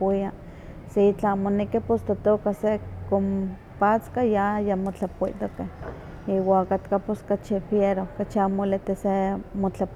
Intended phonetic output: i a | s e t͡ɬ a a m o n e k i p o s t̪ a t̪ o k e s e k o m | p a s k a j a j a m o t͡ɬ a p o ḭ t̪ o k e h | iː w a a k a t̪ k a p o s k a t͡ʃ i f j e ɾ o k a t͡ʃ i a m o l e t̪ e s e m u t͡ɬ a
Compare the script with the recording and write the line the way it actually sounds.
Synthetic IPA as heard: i a | s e t͡ɬ a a m o n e k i p o s t̪ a t̪ o k a s e k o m | p a t͡s k a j a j a m o t͡ɬ a p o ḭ t̪ o k e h | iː w a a k a t̪ k a p o s k a t͡ʃ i f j e ɾ o k a t͡ʃ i a m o l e t̪ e s e m o t͡ɬ a